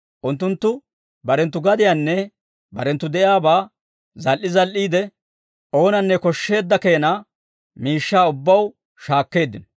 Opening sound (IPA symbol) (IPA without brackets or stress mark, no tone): ʔ